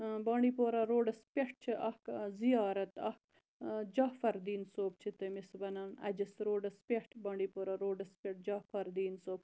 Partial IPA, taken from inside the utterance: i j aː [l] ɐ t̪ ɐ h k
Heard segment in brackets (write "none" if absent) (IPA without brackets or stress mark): ɾ